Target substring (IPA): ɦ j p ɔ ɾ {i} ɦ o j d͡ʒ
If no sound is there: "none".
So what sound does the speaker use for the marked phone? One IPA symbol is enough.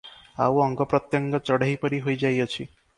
i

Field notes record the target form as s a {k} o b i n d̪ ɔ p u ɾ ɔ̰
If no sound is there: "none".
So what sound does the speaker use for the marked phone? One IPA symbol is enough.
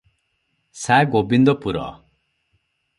ɡ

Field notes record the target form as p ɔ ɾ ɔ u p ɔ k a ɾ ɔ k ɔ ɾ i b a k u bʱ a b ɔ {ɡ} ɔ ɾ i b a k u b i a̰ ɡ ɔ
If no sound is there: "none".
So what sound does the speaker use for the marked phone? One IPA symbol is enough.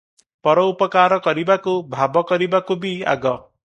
k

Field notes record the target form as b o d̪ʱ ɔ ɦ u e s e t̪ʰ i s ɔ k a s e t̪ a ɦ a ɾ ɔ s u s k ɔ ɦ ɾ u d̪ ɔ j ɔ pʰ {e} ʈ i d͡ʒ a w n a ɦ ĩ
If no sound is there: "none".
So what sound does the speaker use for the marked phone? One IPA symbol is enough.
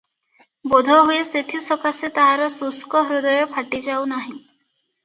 a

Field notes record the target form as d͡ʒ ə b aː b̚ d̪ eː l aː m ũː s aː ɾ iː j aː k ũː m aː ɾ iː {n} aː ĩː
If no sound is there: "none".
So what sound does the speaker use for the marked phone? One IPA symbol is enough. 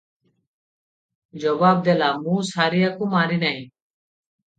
n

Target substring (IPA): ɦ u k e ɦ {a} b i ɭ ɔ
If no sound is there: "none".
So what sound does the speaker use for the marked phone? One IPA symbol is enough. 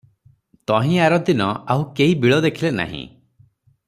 i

